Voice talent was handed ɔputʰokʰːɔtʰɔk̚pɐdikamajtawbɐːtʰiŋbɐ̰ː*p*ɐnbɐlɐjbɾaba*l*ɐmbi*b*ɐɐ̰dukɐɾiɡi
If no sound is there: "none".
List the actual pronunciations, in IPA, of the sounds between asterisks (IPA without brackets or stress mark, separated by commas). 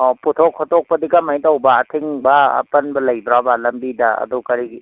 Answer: p, l, d